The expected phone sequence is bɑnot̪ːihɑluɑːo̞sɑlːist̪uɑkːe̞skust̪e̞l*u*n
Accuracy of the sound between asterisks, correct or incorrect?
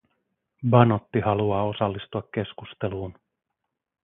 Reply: incorrect: uː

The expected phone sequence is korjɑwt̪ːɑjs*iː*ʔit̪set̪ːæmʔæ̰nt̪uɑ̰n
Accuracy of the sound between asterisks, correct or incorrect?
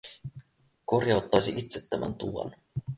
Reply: incorrect: i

